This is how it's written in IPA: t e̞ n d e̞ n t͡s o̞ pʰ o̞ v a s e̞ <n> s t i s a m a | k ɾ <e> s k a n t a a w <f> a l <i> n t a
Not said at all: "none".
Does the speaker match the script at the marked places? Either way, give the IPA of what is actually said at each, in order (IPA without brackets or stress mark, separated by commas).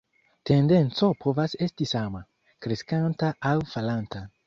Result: none, e, f, a